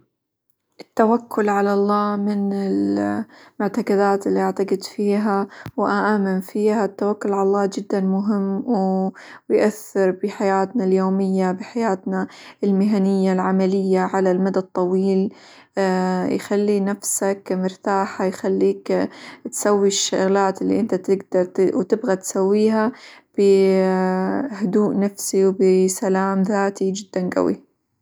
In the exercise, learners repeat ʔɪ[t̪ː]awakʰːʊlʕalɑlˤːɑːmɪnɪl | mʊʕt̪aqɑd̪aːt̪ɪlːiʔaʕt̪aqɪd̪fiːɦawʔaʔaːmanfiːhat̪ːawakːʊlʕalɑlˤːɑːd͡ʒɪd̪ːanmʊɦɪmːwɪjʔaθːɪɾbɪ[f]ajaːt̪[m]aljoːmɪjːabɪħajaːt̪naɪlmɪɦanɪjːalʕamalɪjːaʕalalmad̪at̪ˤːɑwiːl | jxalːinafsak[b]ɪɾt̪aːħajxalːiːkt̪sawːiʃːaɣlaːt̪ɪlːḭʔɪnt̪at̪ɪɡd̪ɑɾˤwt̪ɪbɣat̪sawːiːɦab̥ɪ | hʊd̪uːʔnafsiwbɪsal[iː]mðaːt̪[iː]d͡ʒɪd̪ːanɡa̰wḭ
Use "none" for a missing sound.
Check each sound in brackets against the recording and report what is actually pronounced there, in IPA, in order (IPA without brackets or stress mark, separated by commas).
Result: t̪ː, ħ, n, m, aː, i